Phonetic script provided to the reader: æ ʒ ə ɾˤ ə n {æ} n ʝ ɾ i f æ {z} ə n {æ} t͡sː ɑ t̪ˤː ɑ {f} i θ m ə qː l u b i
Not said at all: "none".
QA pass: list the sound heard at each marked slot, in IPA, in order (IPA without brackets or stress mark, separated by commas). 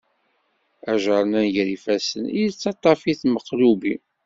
æ, s, i, f